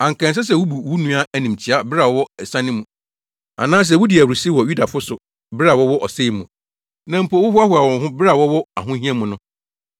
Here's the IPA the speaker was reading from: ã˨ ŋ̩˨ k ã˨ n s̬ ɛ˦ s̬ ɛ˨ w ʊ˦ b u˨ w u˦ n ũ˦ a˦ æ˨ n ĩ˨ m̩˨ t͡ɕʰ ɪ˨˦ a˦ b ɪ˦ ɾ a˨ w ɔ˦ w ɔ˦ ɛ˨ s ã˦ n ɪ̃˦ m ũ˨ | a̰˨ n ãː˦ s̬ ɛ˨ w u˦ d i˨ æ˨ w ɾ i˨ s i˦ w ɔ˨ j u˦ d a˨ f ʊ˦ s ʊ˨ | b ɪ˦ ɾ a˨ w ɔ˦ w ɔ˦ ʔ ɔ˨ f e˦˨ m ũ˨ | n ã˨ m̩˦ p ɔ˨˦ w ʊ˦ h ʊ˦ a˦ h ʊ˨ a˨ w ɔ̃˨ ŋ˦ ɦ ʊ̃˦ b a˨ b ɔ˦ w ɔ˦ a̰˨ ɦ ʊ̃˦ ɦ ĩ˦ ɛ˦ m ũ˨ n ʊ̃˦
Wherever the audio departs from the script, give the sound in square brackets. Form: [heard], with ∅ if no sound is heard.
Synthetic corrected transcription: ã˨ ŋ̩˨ k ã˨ n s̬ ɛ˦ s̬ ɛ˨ w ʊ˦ b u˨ w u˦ n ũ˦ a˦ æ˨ n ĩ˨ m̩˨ t͡ɕʰ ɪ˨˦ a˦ b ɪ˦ ɾ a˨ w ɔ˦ w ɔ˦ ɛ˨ s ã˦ n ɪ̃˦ m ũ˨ | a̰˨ n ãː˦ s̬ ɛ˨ w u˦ d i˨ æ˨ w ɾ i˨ s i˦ w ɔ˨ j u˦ d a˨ f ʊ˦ s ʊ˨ | b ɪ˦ ɾ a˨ w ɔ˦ w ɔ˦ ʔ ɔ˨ [s] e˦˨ m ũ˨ | n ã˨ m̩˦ p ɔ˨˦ w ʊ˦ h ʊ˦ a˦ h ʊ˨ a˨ w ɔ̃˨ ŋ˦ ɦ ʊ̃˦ b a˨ [w] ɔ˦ w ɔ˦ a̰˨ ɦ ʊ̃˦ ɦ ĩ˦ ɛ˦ m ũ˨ n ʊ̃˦